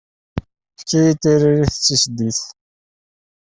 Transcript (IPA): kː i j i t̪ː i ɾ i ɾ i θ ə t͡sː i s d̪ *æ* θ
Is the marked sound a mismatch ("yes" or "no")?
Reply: yes